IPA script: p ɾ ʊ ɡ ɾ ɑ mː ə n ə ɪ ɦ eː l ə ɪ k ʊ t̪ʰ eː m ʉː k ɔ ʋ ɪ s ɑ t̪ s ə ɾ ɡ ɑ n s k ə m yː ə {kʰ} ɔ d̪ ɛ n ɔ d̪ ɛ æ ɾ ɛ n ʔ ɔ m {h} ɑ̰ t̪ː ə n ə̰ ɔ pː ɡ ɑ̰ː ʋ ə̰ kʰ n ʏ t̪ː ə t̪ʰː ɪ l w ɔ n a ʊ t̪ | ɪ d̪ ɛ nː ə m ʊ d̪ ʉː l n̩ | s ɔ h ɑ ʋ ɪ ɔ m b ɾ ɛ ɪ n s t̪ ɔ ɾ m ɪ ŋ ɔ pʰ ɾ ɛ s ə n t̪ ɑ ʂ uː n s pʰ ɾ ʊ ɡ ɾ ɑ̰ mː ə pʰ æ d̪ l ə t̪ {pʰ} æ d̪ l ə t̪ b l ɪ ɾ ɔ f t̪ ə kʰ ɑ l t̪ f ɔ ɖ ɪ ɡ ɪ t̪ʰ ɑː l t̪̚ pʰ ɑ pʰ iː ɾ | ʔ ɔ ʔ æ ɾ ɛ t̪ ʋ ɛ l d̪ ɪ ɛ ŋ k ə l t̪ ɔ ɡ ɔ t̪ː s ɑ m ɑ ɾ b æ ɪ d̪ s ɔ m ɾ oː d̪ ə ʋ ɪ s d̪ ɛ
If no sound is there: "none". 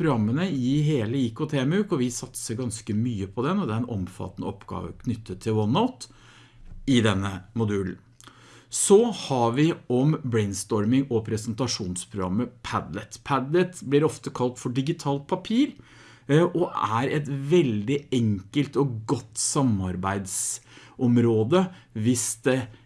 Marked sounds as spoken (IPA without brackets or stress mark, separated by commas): pʰ, f, pʰ